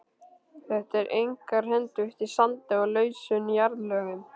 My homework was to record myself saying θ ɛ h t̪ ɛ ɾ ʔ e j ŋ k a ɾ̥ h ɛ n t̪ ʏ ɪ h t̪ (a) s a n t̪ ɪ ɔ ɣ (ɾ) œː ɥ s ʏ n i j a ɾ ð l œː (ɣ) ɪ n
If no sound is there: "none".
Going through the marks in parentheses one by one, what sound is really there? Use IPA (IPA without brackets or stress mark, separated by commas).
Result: i, l, ɣ